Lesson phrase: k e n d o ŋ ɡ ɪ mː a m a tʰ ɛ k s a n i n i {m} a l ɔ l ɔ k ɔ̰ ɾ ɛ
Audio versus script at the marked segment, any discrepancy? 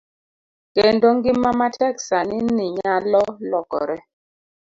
yes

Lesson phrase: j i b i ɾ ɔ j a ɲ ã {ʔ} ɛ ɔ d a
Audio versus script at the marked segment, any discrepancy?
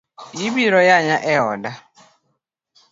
no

